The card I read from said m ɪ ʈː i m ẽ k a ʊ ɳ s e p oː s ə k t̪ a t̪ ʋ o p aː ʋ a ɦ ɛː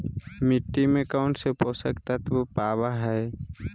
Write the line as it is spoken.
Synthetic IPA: m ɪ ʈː i m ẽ k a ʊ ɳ s e p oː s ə k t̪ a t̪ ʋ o p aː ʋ a ɦ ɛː